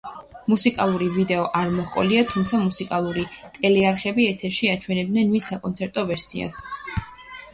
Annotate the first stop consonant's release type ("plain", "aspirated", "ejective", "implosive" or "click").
ejective